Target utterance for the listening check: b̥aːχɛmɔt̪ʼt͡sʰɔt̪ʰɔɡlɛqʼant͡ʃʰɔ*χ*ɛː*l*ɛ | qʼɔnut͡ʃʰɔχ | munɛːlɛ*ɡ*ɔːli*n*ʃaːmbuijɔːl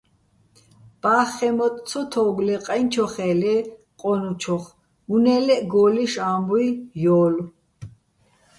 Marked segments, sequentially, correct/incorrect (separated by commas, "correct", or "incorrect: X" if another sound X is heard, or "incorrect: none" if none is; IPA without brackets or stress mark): correct, correct, correct, incorrect: none